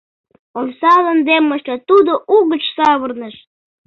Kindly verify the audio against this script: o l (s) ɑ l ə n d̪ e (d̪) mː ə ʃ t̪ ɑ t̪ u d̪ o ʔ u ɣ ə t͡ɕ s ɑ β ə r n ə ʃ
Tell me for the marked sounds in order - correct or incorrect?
correct, incorrect: none

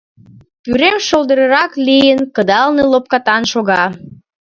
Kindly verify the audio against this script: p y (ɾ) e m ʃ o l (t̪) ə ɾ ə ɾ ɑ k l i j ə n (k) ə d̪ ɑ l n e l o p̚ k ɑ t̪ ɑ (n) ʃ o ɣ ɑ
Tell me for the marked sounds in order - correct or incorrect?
correct, incorrect: d̪, correct, correct

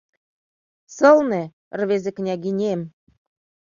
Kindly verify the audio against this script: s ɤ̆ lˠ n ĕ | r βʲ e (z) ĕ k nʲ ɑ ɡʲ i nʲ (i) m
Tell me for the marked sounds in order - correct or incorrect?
correct, incorrect: e

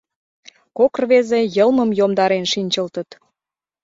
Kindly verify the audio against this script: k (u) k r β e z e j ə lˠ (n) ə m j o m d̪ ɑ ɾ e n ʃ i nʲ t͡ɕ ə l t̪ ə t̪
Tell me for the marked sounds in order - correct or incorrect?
incorrect: o, incorrect: m

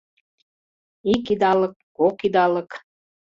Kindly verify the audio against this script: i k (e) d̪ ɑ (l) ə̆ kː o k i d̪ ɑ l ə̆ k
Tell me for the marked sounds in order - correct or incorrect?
incorrect: i, correct

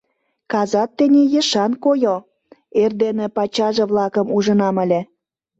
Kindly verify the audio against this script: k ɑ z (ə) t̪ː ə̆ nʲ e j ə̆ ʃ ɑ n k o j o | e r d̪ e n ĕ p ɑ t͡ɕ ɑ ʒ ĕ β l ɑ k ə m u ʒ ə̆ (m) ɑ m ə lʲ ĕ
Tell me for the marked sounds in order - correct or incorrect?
incorrect: ɑ, incorrect: n

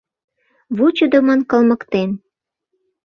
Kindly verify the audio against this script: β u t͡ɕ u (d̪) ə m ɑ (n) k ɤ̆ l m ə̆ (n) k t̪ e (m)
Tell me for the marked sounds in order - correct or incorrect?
correct, correct, incorrect: none, incorrect: n

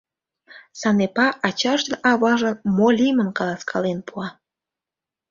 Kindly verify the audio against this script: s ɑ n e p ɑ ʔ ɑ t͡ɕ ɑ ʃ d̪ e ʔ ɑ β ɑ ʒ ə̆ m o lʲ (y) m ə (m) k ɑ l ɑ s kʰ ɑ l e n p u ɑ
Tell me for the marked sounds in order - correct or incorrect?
incorrect: i, incorrect: n

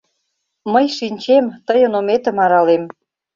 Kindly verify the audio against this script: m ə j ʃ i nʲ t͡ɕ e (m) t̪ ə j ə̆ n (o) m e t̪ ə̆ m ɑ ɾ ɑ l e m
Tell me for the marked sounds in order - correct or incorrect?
correct, correct

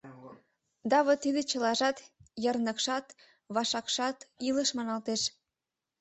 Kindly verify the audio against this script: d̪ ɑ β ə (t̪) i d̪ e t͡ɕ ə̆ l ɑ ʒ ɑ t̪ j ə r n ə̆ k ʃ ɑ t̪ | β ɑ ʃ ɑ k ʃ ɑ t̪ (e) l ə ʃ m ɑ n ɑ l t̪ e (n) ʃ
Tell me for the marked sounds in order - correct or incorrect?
correct, incorrect: i, incorrect: none

